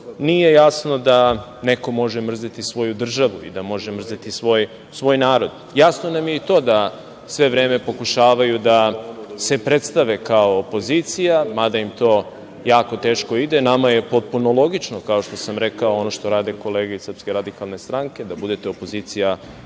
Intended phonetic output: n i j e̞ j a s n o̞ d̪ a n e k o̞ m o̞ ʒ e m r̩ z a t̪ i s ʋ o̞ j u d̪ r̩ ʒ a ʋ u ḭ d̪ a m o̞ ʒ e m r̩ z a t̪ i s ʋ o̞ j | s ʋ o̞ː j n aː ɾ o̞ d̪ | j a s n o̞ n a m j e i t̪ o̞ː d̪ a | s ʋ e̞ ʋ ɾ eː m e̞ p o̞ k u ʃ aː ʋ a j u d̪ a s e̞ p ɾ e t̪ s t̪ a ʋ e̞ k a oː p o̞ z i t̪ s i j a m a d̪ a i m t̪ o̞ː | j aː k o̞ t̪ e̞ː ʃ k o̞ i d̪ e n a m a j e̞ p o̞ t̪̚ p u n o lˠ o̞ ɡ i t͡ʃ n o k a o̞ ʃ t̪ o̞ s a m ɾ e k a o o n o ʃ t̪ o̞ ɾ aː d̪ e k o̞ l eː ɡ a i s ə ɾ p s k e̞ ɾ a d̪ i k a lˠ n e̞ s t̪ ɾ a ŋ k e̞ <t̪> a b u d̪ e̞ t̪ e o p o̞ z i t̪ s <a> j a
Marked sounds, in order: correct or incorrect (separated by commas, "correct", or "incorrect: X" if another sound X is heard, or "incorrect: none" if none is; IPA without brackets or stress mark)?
incorrect: d̪, incorrect: i